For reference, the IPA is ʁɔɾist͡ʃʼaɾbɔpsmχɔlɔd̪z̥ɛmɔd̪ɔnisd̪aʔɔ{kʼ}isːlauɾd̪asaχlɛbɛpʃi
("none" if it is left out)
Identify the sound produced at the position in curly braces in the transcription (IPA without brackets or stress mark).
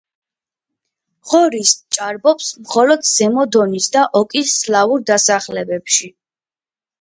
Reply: kʼ